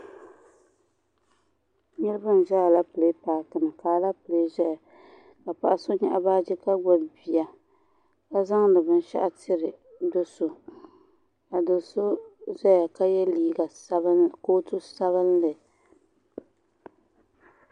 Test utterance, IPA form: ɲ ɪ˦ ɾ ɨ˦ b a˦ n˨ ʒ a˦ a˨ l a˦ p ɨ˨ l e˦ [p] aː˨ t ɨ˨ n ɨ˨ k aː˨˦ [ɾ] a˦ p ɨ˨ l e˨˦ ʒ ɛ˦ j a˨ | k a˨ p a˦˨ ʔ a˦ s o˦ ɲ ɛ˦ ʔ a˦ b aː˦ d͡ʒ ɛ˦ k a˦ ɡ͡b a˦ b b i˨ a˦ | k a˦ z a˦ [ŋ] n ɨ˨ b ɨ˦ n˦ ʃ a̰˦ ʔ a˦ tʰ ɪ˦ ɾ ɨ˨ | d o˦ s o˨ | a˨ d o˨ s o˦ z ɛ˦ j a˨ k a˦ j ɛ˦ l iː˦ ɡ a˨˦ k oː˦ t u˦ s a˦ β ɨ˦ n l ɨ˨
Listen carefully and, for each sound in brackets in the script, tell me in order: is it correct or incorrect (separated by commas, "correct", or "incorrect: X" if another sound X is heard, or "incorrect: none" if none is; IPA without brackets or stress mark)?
correct, incorrect: l, correct